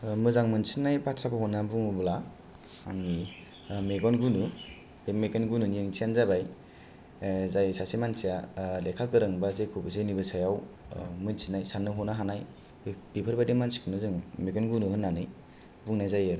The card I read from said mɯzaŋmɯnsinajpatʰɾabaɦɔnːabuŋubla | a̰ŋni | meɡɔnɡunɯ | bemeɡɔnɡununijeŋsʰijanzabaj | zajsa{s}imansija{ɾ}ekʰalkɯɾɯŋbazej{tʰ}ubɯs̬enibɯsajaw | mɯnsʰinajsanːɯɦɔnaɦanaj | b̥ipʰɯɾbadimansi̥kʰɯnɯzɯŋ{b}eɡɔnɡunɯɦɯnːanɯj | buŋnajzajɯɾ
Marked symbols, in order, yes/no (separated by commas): yes, no, no, no